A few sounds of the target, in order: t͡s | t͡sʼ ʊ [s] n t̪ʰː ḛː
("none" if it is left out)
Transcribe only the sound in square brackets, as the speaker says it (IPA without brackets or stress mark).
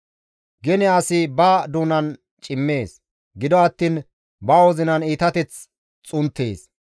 none